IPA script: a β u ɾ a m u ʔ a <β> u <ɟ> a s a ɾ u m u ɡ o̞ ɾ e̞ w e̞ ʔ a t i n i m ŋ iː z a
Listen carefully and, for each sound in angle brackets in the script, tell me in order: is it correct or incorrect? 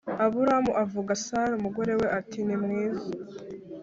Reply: incorrect: v, incorrect: ɡ

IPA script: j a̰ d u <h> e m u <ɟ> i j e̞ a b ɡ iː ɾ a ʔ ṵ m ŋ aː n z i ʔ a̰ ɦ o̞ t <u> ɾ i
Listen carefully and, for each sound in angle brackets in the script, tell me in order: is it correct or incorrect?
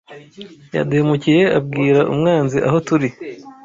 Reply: correct, incorrect: c, correct

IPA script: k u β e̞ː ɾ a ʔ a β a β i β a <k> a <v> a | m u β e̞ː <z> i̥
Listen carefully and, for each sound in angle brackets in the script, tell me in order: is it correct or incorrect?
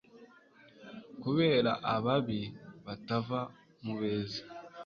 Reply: incorrect: t, correct, correct

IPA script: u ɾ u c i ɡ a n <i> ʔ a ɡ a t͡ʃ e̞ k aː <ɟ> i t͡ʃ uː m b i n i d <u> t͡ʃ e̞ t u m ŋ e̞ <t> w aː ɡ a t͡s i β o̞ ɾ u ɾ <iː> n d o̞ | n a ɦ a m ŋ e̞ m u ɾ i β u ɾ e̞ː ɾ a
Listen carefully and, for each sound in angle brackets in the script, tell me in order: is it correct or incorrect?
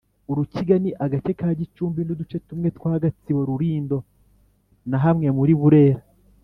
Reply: correct, correct, correct, correct, correct

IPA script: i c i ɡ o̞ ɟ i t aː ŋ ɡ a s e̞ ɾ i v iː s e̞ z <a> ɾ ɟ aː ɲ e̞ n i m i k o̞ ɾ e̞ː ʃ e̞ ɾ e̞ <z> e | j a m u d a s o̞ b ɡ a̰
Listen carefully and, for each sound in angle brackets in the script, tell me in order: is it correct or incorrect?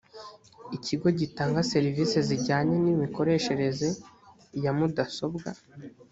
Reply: incorrect: i, correct

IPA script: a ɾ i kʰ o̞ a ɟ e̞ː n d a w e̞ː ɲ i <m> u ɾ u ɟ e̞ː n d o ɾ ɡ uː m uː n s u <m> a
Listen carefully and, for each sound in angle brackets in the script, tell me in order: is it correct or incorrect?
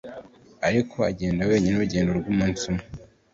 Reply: incorrect: n, correct

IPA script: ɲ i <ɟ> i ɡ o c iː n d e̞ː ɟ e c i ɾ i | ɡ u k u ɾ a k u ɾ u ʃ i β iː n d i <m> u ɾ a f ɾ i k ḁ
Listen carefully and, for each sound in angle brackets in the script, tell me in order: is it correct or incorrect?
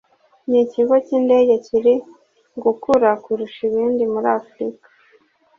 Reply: incorrect: c, correct

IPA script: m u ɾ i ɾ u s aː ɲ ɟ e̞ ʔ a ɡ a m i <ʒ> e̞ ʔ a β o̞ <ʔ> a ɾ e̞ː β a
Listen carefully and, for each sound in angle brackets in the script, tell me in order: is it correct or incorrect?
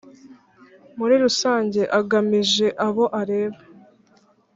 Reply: correct, correct

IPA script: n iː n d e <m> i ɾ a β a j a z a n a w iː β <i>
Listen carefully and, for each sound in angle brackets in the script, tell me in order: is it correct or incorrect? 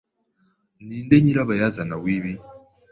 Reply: incorrect: ɲ, correct

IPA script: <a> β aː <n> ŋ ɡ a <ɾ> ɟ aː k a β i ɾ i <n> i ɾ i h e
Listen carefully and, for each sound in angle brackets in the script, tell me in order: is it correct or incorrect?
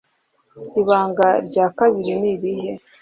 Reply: incorrect: i, incorrect: none, correct, correct

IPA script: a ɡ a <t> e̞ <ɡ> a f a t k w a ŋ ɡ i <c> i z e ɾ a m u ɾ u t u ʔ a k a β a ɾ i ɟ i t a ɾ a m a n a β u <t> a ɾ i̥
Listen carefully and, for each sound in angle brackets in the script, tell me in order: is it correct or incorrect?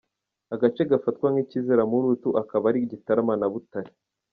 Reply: incorrect: t͡ʃ, correct, correct, correct

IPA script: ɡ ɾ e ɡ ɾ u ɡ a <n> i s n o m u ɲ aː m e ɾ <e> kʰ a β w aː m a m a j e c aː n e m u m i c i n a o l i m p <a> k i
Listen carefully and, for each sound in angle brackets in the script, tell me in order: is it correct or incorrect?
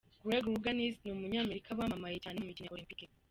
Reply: correct, incorrect: i, incorrect: i

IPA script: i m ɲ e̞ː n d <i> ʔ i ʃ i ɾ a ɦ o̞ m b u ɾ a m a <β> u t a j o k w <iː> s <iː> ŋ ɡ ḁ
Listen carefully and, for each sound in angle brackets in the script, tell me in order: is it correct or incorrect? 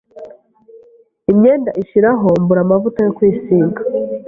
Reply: incorrect: a, incorrect: v, correct, correct

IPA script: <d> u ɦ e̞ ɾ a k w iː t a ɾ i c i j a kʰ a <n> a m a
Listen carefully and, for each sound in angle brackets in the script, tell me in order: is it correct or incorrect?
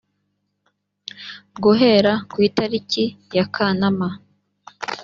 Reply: incorrect: ɡ, correct

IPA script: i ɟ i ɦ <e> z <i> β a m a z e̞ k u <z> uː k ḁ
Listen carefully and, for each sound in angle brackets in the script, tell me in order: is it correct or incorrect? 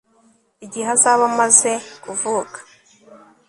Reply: incorrect: a, incorrect: a, incorrect: v

